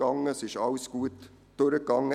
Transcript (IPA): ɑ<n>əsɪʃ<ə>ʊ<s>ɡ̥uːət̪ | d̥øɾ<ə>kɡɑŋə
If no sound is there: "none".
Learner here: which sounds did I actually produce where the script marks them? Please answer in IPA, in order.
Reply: ŋ, ɑ, s, ə

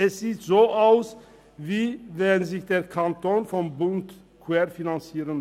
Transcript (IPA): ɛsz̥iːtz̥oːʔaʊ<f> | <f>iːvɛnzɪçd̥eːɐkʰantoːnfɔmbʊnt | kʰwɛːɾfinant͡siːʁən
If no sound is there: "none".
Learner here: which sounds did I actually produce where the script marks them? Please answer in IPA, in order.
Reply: s, v

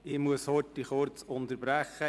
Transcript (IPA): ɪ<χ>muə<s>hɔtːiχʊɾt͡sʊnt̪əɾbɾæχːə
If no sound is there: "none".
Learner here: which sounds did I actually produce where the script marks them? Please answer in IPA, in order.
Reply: none, s

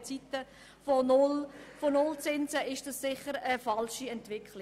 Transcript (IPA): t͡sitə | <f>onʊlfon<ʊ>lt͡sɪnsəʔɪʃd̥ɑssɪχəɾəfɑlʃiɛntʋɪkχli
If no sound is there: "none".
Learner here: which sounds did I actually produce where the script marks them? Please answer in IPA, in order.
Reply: f, ʊ

